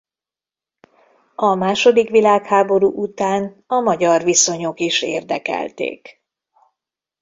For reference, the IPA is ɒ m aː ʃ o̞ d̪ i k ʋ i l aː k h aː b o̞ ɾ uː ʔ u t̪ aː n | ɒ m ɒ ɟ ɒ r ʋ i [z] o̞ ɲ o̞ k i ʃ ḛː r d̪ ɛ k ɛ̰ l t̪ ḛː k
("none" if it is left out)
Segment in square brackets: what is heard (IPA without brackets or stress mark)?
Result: s